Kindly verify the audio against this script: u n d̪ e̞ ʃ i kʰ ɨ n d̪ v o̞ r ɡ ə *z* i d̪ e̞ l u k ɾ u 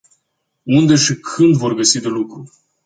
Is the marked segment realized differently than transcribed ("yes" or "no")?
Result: yes